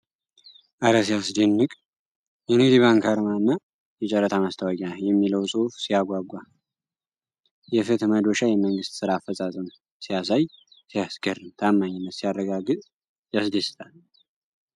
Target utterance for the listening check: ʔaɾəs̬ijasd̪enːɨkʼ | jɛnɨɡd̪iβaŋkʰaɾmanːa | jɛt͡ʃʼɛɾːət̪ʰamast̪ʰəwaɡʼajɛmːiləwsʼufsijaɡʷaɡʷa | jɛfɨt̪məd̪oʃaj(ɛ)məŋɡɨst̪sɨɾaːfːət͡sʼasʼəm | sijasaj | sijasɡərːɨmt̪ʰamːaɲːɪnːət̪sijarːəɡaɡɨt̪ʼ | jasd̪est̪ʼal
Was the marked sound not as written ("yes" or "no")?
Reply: no